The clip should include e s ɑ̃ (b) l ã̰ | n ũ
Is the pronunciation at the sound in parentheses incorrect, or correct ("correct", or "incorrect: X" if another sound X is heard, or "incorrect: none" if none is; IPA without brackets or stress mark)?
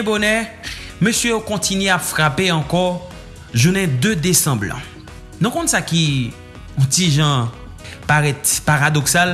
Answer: correct